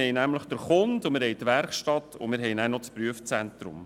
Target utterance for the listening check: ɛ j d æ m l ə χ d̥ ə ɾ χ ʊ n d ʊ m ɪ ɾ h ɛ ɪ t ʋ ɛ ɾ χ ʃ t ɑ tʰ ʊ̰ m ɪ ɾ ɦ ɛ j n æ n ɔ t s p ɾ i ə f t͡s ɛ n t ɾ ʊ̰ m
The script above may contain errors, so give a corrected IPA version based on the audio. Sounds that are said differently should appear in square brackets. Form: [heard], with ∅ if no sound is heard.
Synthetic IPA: ɛ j [n] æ m l ə χ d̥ ə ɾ χ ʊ n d ʊ m ɪ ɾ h ɛ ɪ t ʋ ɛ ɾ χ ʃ t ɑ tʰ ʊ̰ m ɪ ɾ ɦ ɛ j n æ n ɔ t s p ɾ [y] ə f t͡s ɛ n t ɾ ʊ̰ m